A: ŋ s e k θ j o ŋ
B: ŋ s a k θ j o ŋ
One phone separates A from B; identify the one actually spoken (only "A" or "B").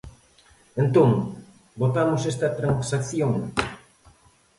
B